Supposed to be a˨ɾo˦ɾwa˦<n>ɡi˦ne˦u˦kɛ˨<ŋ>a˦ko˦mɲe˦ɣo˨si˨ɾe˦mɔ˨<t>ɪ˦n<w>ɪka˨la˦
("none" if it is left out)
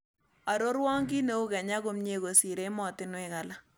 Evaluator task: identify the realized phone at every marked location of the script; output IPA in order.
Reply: ŋ, ɲ, t, w

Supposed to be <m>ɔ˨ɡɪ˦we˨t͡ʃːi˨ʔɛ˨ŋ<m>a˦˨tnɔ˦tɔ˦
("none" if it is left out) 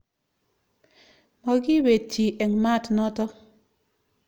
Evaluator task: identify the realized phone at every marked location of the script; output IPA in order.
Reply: m, m

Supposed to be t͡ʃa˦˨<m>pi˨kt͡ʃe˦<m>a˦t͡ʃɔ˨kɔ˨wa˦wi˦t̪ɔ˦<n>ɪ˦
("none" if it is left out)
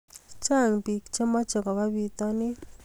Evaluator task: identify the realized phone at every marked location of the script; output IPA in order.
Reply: ŋ, m, n

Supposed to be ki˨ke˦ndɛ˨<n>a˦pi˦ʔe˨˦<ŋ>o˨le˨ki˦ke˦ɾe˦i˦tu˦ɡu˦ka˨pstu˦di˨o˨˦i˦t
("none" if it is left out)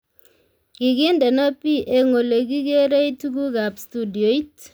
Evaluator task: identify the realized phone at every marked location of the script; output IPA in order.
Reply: n, ŋ

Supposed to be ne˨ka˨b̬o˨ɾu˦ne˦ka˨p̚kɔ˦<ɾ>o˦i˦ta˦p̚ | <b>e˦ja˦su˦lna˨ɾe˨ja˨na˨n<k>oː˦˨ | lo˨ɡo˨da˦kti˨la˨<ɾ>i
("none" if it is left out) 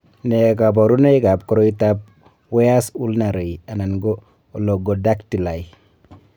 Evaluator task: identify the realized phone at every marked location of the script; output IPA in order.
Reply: ɾ, w, ɡ, none

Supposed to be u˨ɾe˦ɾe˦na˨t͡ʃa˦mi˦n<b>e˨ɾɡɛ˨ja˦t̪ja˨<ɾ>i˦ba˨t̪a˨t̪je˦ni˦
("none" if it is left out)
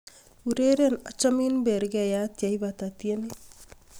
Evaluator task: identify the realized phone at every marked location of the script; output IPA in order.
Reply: b, none

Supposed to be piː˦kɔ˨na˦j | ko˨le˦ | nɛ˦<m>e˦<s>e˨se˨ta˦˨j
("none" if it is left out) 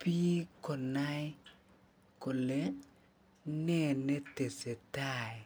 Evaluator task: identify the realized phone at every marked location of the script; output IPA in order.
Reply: n, t

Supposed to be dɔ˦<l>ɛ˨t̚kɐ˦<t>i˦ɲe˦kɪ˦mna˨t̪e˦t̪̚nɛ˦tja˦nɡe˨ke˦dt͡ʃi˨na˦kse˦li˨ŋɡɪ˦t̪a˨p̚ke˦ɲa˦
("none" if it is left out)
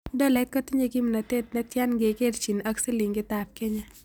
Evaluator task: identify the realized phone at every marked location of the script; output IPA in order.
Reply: l, t

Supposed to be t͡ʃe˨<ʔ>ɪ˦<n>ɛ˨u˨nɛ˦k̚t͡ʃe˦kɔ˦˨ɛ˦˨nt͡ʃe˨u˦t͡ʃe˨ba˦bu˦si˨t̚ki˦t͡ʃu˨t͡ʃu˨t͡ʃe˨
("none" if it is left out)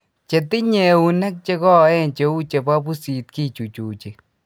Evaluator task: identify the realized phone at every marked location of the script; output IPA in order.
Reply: t, ɲ

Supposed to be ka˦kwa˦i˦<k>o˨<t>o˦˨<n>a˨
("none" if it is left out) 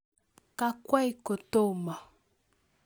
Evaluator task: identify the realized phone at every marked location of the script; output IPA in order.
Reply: k, t, m

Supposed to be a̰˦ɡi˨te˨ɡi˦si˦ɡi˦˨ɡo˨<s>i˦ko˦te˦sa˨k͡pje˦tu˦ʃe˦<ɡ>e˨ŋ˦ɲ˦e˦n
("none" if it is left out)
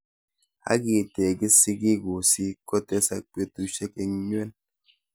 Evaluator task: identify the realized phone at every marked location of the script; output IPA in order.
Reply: s, k

